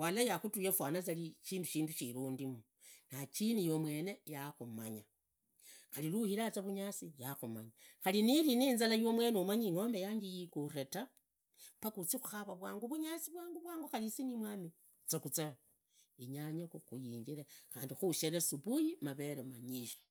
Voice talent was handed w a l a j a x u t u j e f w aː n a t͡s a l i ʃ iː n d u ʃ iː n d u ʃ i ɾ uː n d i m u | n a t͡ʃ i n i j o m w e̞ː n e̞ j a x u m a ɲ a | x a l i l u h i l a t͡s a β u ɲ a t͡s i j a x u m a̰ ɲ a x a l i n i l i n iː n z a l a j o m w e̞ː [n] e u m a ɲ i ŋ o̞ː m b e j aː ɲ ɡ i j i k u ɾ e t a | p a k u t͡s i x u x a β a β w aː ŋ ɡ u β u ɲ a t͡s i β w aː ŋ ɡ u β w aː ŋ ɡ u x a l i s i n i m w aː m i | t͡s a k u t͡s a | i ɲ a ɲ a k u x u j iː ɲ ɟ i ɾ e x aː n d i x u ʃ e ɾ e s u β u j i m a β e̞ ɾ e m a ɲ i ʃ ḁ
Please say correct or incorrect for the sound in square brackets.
correct